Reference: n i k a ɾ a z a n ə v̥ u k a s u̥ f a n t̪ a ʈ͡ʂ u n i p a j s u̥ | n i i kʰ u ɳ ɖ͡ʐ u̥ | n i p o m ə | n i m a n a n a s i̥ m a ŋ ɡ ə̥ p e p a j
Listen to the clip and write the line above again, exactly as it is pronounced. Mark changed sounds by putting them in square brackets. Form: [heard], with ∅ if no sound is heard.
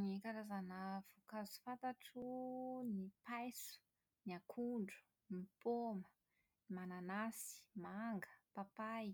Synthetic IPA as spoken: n i k a ɾ a z a n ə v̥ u k a [z] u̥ f a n t̪ a ʈ͡ʂ u n i p a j s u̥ | n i [a] kʰ u ɳ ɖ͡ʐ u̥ | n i p o m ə | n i m a n a n a s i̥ m a ŋ ɡ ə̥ p [a] p a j